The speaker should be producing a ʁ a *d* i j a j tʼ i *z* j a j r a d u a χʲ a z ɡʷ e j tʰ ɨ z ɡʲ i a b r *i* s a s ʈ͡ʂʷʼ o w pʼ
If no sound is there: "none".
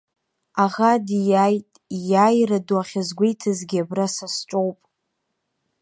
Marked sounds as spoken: d, none, a

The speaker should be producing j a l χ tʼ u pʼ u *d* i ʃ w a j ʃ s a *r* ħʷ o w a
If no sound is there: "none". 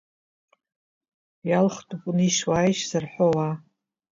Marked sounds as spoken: n, r

